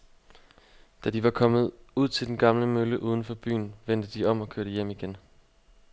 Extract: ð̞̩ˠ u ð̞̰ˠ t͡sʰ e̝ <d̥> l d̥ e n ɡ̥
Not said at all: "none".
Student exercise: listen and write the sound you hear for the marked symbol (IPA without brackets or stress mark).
none